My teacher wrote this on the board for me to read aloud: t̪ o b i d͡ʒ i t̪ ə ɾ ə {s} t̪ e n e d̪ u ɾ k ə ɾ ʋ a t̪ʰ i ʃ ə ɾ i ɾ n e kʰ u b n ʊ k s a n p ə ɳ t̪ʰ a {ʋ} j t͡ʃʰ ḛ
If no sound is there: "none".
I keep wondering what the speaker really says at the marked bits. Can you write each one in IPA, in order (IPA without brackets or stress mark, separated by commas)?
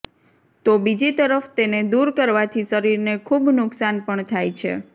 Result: f, none